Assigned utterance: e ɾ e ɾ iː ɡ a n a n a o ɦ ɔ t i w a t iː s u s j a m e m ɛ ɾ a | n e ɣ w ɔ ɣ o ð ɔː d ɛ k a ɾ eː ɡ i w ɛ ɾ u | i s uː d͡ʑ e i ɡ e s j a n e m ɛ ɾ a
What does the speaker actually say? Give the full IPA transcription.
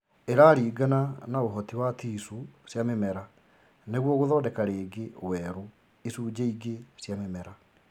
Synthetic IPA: e ɾ a ɾ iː ɡ a n a n a o ɦ ɔ t i w a t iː s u s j a m e m ɛ ɾ a | n e ɣ w ɔ ɣ o ð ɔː d ɛ k a ɾ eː ɡ e w ɛ ɾ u | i s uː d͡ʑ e i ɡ e s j a m e m ɛ ɾ a